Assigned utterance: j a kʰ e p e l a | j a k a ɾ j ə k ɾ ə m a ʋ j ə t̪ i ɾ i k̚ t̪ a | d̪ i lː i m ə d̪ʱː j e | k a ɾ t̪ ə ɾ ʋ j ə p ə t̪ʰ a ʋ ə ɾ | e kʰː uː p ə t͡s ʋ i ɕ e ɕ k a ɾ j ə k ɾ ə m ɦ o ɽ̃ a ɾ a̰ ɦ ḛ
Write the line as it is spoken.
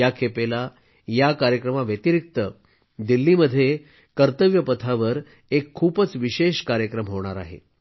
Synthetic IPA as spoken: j a kʰ e p e l a | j a k a ɾ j ə k ɾ ə m a ʋ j ə t̪ i ɾ i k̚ t̪ ə | d̪ i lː i m ə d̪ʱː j e | k ə ɾ t̪ ə ʋ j ə p ə t̪ʰ a ʋ ə ɾ | e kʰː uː p ə t͡s ʋ i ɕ e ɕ k a ɾ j ə k ɾ ə m ɦ o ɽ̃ a ɾ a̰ ɦ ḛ